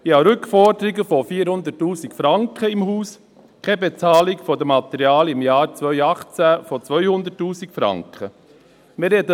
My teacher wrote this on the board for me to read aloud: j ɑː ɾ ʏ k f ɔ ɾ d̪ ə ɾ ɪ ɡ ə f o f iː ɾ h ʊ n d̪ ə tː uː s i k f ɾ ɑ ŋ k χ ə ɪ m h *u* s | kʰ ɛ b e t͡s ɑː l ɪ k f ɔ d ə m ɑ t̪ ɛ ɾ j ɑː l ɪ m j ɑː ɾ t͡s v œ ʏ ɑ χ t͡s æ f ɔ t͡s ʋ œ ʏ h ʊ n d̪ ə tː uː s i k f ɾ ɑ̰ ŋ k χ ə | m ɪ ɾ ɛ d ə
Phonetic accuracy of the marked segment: incorrect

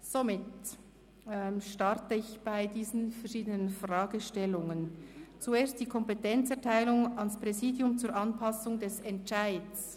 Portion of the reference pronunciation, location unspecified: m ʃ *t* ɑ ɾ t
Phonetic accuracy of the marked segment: correct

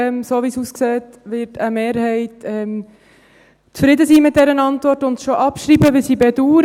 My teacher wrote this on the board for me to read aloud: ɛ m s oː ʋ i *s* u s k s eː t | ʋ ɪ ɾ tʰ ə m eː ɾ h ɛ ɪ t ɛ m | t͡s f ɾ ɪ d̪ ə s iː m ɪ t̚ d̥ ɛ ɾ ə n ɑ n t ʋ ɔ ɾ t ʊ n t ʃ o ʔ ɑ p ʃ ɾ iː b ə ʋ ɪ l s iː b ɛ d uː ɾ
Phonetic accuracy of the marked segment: correct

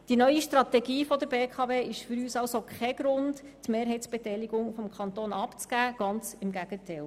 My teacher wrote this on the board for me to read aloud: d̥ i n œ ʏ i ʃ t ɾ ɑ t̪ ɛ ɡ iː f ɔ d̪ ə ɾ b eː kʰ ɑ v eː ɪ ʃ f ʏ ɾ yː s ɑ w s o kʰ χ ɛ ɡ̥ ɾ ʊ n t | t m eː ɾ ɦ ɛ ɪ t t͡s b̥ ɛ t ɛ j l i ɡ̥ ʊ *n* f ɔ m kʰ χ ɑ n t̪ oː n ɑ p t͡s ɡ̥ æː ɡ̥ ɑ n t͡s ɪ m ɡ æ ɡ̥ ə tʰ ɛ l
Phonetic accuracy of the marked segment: incorrect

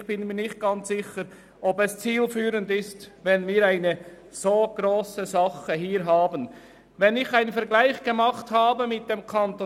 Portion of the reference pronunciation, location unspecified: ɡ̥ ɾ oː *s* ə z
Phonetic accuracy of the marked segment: correct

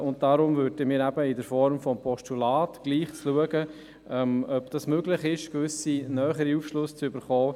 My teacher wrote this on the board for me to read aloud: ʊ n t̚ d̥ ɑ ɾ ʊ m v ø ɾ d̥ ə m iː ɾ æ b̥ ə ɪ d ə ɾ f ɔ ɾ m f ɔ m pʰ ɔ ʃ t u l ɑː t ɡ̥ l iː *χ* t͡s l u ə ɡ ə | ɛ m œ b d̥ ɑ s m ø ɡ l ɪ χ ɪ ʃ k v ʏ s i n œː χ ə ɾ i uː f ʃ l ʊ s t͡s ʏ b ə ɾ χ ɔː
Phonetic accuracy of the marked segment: correct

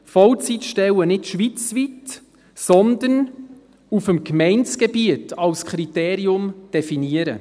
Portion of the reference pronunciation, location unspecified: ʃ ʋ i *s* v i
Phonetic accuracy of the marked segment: incorrect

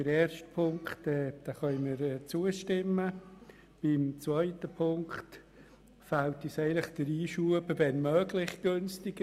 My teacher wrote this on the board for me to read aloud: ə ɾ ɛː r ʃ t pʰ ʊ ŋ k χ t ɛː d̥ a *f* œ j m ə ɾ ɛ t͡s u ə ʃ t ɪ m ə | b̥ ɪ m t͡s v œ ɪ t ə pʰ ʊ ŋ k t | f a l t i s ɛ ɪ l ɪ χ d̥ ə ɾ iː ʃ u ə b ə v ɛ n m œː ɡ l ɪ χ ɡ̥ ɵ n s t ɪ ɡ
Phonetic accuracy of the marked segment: incorrect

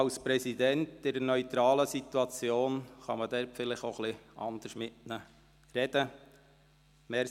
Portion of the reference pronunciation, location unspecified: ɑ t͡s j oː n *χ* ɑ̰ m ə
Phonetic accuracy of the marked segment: correct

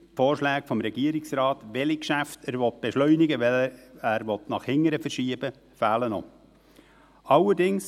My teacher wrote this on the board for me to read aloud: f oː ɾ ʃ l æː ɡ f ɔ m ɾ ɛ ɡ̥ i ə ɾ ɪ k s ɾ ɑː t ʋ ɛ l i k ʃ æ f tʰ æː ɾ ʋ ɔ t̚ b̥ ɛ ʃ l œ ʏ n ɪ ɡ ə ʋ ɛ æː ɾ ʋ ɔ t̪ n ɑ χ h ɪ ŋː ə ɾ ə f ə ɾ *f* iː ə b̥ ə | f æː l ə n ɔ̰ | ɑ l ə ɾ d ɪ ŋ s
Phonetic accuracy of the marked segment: incorrect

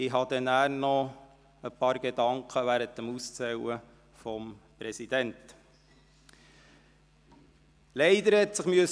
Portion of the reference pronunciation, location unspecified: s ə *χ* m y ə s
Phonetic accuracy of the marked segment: correct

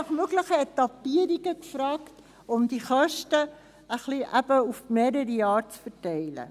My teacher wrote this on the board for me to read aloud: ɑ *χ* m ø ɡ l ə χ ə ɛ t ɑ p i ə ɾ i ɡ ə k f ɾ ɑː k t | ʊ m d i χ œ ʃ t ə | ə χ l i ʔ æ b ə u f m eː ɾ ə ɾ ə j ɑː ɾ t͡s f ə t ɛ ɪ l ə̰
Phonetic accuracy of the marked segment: correct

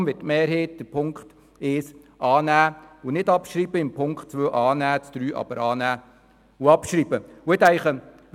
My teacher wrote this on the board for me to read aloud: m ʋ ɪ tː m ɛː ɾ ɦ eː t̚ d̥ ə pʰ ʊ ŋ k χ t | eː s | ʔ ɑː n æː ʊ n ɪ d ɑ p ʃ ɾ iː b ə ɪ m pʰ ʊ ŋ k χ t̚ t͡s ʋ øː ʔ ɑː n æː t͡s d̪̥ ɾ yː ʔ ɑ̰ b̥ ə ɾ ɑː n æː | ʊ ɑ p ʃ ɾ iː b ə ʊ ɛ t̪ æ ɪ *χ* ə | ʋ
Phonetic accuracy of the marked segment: correct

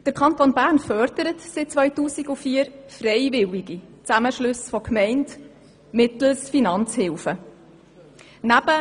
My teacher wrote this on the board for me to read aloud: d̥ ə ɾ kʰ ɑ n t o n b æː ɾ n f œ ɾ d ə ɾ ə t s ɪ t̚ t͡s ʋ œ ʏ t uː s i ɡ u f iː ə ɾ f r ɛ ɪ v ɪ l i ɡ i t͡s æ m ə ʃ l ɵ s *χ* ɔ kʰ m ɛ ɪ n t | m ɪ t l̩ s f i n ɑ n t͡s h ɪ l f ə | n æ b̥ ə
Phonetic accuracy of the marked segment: incorrect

